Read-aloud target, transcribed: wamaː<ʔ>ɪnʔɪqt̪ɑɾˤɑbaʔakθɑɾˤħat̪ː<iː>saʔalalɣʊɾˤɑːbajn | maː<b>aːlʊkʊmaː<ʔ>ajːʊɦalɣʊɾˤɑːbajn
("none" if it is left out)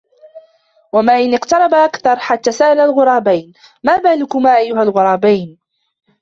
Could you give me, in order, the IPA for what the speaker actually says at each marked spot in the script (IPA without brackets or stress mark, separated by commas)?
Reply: ʔ, aː, b, ʔ